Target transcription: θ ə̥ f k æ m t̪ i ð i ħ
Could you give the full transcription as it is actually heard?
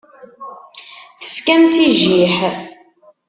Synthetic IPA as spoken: θ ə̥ f k æ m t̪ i ʒ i ħ